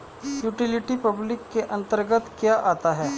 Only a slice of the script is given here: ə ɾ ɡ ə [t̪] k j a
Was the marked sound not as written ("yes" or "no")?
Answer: no